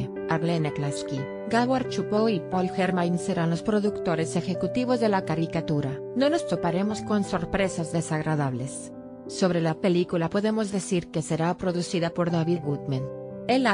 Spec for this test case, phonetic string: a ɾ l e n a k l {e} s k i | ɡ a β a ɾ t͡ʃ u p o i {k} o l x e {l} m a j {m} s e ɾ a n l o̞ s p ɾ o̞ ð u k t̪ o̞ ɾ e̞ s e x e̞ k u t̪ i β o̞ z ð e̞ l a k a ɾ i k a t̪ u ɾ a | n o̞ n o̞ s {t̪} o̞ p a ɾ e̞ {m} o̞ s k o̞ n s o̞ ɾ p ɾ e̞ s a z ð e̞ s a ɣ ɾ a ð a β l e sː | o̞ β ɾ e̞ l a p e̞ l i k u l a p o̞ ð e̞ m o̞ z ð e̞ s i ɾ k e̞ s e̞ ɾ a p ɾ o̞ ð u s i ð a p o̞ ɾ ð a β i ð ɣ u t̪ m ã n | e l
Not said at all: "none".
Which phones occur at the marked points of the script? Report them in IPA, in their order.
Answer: a, p, ɾ, n, t̪, m

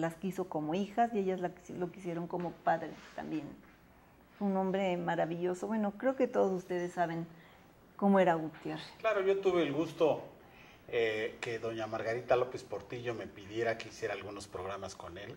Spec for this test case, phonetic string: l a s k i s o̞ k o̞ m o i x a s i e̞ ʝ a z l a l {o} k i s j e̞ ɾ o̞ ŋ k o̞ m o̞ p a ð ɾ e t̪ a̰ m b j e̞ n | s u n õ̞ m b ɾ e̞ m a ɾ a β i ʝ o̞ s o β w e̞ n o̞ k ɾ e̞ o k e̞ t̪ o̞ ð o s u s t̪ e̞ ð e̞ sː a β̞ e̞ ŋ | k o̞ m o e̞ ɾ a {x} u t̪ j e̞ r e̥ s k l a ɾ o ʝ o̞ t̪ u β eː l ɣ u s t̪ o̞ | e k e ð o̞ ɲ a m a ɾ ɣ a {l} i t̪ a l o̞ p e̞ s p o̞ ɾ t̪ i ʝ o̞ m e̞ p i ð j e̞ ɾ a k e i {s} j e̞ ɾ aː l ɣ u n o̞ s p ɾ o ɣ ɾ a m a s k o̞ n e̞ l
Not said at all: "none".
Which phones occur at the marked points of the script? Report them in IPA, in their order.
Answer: o, ɣ, ɾ, s

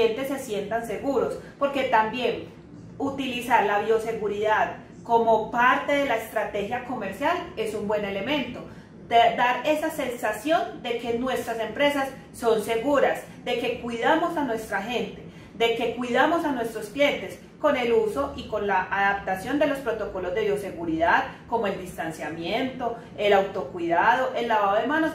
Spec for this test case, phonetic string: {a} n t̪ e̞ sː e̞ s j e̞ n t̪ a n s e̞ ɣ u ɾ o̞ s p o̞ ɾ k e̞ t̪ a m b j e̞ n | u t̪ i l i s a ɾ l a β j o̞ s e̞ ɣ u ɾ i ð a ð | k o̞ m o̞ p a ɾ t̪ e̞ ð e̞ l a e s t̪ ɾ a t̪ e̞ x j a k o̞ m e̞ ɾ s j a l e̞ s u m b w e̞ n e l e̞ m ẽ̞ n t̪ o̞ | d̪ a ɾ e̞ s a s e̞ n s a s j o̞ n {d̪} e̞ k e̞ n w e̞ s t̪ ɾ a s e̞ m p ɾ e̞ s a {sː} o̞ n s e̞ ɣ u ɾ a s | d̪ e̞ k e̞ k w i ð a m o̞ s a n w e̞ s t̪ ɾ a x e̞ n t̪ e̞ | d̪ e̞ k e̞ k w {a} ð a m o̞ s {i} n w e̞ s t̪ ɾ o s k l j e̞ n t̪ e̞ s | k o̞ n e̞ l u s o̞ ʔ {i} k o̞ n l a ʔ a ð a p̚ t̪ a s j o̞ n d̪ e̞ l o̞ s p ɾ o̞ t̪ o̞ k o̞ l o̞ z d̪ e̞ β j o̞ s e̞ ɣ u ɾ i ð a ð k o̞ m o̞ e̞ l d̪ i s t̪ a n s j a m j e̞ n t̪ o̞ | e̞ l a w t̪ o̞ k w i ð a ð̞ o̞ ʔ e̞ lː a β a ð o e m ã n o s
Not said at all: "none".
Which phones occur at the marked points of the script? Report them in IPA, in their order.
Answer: e, d̪, sː, i, a, i

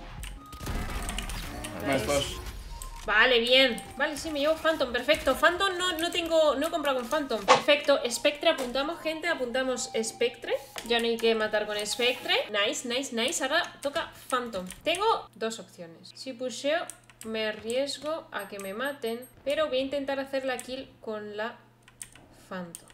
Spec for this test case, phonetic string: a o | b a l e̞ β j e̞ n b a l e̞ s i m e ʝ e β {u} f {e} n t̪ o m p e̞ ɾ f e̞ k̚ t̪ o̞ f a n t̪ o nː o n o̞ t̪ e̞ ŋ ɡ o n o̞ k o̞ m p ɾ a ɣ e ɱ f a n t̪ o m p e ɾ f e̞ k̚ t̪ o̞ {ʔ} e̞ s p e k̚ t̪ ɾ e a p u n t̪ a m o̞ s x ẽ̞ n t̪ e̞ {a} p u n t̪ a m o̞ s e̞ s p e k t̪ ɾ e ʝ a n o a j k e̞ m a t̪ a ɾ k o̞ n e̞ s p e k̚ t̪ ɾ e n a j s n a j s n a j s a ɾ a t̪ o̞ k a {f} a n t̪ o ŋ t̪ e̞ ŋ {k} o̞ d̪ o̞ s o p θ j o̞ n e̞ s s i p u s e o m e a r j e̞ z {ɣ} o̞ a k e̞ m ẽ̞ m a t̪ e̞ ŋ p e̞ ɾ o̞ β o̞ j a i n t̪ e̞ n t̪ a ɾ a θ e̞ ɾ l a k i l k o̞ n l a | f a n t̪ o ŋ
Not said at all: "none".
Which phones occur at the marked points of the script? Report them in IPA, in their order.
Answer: o, a, ʔ, a, f, ɡ, ɣ

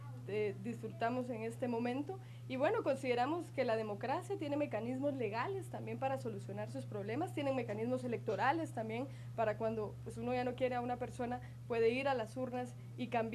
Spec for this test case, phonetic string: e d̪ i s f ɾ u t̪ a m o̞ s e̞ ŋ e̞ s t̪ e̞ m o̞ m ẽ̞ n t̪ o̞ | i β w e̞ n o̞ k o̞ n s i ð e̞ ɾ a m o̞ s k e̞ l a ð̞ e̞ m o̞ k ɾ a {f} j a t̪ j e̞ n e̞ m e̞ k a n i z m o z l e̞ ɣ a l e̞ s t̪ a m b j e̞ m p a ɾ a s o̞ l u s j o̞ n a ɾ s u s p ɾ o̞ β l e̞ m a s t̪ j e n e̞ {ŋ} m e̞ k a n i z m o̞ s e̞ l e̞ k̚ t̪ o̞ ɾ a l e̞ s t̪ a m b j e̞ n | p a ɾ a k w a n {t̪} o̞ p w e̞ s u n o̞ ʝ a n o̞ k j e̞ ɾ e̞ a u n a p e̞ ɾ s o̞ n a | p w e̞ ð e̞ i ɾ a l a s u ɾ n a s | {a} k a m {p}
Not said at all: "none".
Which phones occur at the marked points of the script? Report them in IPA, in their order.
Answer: s, ŋ, d̪, i, b

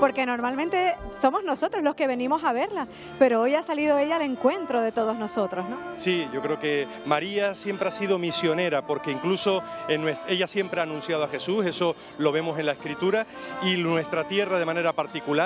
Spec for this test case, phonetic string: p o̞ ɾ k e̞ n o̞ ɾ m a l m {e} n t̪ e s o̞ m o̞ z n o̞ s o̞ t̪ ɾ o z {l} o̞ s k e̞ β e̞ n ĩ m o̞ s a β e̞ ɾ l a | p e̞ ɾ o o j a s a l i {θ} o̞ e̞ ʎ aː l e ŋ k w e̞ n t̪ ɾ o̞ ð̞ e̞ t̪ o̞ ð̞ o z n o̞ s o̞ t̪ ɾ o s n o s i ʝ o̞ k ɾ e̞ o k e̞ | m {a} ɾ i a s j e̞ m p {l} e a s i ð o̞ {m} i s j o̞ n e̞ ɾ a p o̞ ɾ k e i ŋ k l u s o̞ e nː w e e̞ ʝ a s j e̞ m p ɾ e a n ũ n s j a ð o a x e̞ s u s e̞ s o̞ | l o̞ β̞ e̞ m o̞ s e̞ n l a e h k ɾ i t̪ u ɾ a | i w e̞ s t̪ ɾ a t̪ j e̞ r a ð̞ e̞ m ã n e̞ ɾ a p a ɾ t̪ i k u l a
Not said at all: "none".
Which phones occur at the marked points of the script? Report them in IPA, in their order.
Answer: ẽ, l, ð, a, ɾ, m

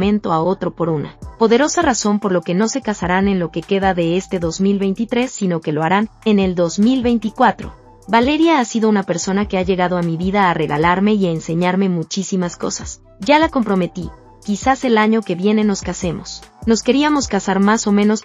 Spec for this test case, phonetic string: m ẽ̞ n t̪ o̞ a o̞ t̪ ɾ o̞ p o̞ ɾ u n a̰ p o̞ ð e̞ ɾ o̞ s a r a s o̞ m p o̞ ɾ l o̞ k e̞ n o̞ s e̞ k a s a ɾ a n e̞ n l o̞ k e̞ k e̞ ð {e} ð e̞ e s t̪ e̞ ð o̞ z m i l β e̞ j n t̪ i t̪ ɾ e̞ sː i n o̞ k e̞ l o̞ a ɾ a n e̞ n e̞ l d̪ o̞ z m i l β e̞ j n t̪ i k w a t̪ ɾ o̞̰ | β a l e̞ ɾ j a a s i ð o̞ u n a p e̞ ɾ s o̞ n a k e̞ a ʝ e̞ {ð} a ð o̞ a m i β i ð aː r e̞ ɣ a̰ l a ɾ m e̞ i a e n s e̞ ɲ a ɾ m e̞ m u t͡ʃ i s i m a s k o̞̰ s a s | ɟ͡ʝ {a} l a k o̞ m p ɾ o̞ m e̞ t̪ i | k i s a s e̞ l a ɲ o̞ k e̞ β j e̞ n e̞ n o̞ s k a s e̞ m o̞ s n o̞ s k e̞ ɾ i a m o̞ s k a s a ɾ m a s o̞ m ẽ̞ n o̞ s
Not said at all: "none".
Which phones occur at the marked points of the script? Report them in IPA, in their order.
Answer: a, ɣ, a

